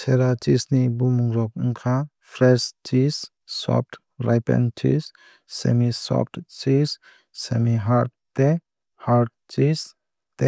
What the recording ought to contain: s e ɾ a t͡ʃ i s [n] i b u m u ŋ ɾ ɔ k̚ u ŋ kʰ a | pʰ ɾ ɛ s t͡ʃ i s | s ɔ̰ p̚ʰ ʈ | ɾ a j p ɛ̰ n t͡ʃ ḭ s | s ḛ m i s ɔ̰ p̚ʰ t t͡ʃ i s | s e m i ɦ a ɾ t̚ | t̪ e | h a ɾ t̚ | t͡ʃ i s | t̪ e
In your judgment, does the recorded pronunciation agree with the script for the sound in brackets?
yes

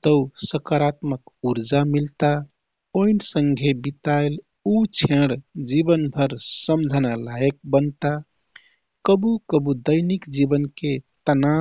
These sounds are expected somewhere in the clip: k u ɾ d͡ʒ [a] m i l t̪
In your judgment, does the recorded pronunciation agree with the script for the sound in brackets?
yes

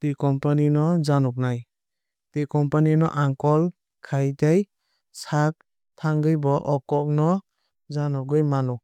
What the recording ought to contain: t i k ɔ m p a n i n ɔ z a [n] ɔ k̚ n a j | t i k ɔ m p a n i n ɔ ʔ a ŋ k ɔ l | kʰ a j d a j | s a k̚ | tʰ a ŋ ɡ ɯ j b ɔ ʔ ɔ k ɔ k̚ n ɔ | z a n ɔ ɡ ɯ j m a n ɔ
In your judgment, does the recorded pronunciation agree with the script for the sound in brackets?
yes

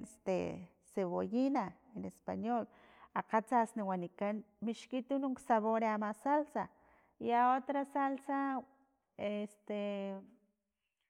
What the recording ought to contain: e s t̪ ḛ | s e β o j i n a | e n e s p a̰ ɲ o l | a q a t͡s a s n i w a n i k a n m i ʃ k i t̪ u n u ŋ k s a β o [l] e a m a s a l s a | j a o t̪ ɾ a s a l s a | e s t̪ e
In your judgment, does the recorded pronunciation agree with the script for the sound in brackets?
no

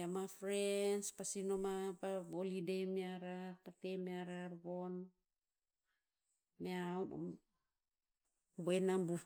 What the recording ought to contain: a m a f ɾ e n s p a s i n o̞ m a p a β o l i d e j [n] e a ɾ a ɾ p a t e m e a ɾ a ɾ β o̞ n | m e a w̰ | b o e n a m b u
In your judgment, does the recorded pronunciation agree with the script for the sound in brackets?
no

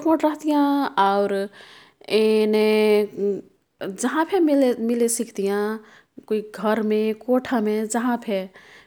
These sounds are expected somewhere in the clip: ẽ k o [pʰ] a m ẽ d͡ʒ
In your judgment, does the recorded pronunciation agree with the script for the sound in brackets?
no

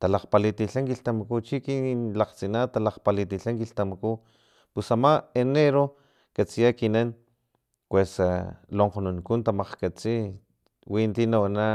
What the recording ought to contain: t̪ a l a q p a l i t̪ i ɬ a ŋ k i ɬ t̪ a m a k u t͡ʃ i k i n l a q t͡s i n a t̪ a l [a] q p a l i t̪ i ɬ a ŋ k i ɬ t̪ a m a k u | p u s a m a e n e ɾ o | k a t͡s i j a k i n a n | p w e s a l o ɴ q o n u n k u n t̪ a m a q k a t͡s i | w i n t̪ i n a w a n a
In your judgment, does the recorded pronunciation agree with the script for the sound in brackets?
yes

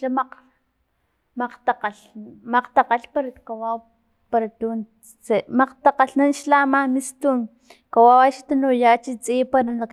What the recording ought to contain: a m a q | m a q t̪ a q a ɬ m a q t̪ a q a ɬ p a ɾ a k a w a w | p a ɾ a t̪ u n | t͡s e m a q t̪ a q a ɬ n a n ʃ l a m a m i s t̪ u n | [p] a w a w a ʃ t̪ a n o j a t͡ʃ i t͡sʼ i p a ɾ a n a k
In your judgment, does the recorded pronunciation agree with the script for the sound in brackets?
no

